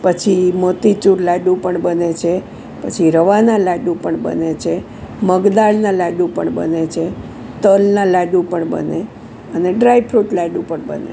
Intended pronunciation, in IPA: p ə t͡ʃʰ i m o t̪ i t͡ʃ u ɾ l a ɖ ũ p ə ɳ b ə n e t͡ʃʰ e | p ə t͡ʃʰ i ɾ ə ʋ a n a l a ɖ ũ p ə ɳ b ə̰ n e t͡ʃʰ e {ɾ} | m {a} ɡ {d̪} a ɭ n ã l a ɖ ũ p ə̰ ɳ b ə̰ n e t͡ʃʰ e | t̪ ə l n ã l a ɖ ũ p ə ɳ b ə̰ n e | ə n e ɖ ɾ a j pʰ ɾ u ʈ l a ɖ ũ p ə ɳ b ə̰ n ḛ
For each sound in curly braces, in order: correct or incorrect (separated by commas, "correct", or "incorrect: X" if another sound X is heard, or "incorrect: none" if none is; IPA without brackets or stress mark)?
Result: incorrect: none, incorrect: ə, correct